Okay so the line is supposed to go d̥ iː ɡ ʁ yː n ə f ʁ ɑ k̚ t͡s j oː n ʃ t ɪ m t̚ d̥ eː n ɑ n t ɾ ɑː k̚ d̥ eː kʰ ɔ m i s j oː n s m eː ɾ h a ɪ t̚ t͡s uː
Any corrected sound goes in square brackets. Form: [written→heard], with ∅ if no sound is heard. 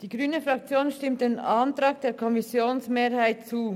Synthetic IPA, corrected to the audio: d̥ iː ɡ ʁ yː n ə f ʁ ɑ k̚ t͡s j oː n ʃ t ɪ m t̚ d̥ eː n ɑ n t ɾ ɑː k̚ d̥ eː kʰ ɔ m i s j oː n s m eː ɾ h a ɪ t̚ t͡s uː